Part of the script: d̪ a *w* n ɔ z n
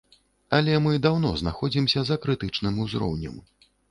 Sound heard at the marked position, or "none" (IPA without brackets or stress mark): w